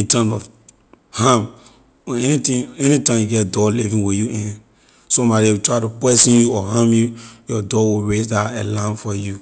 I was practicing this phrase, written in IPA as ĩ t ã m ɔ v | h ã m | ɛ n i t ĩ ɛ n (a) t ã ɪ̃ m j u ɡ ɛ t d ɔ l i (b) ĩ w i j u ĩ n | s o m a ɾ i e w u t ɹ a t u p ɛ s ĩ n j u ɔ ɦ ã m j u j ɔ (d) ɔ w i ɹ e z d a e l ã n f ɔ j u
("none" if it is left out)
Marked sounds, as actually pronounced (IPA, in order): i, v, d

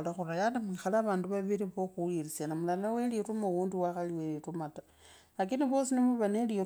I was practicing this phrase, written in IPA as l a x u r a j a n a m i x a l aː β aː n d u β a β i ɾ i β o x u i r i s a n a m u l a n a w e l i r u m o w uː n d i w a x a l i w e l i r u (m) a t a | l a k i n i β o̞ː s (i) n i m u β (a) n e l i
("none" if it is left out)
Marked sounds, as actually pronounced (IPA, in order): m, i, a

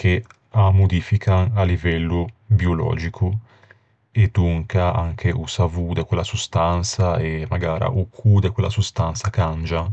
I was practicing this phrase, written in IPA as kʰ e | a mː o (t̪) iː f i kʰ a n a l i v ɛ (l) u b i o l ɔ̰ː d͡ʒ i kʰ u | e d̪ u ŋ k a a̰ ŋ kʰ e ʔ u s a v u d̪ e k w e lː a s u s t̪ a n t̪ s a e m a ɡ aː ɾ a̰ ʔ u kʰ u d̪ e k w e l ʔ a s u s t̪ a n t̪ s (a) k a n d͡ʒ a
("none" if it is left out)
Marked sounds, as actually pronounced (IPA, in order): d̪, lː, a

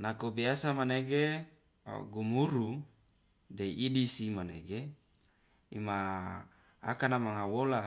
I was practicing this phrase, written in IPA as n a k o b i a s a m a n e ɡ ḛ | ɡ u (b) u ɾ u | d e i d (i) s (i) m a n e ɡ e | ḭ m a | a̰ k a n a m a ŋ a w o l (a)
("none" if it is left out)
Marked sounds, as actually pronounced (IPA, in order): m, i, i, a

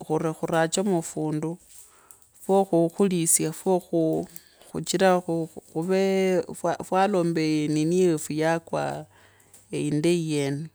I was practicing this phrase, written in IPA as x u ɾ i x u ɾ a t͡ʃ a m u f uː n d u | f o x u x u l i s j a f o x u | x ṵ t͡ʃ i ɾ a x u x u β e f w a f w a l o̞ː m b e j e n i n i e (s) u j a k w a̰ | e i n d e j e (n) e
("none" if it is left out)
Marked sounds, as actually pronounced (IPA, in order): f, n

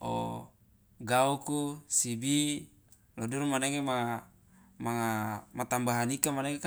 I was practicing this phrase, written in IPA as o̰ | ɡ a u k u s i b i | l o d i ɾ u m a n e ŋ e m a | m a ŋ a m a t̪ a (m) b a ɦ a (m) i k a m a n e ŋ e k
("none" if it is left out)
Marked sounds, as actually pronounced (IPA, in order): m, n

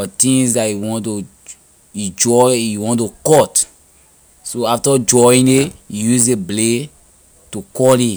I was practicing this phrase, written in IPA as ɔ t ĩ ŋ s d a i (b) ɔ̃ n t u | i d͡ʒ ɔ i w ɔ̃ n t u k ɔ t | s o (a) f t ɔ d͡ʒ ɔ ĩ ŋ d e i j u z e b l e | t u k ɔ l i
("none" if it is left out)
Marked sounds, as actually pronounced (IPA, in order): w, a

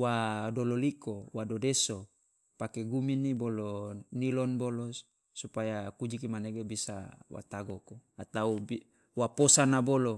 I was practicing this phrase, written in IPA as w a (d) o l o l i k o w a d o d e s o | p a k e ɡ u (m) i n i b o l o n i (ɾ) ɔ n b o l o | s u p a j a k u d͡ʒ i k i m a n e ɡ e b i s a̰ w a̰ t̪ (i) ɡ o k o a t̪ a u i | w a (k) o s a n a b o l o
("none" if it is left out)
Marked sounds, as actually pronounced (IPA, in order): d, m, l, a, p

